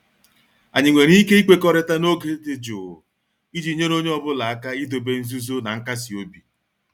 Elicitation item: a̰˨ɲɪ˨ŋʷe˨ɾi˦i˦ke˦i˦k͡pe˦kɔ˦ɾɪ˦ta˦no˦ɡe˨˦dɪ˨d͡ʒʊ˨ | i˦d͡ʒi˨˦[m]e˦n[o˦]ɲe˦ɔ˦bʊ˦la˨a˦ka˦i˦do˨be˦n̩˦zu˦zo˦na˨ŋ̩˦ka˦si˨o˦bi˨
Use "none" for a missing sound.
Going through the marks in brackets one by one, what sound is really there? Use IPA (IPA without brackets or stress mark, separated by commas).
ɲ, o˦